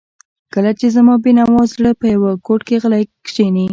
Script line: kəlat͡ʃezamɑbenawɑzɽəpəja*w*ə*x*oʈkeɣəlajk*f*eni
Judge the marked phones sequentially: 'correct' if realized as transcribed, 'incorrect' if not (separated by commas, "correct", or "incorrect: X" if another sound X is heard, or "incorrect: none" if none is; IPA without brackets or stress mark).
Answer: correct, incorrect: k, incorrect: ʃ